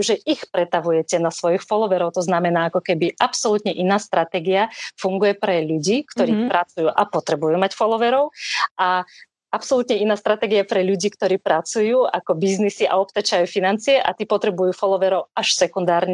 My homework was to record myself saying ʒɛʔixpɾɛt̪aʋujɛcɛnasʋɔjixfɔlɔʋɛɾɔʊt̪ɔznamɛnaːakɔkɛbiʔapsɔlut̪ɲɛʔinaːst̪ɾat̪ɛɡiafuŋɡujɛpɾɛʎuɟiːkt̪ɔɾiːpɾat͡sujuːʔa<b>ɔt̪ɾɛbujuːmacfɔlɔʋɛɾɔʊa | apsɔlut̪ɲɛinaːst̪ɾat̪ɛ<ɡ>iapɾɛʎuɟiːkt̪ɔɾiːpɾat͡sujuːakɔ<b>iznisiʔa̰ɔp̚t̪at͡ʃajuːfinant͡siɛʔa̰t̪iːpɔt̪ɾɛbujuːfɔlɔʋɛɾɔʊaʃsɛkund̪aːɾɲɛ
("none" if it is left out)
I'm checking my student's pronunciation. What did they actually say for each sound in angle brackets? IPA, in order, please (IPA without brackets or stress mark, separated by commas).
p, ɡ, b